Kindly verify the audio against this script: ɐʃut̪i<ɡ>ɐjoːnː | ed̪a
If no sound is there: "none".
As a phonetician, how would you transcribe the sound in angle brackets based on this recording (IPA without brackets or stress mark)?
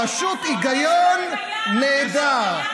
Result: ɡ